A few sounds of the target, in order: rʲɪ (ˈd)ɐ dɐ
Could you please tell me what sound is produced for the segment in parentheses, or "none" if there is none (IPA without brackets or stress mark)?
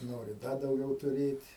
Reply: d